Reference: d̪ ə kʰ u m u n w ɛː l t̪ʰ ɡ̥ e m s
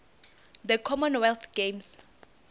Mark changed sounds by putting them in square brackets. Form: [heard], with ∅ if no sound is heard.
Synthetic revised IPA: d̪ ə kʰ [ɔ] m [ɔ] n w [ɛ] l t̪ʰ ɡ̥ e m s